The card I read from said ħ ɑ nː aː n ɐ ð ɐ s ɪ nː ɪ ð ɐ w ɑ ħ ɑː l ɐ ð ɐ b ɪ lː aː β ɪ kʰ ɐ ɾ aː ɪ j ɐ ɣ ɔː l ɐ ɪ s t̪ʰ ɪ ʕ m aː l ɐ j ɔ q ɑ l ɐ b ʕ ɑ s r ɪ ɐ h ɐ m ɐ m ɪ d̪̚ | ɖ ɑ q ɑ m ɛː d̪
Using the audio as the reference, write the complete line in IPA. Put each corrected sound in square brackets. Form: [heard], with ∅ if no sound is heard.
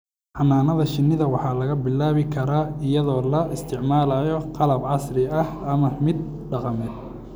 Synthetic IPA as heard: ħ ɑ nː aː n ɐ ð ɐ [ʃ] ɪ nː ɪ ð ɐ w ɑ ħ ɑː l ɐ [ɣ] ɐ b ɪ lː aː β ɪ kʰ ɐ ɾ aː ɪ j ɐ [ð] ɔː l ɐ ɪ s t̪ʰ ɪ ʕ m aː l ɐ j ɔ q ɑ l ɐ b ʕ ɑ s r ɪ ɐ h ɐ m ɐ m ɪ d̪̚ | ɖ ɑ q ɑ m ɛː d̪